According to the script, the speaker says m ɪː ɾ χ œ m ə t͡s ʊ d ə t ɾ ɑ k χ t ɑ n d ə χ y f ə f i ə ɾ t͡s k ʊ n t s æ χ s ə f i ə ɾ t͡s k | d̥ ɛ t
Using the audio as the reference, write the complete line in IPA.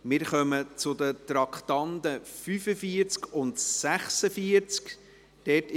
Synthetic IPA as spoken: m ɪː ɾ χ œ m ə t͡s ʊ d ə t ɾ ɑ k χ t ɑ n d ə f y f ə f i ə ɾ t͡s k ʊ n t s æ χ s ə f i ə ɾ t͡s k | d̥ ɛ t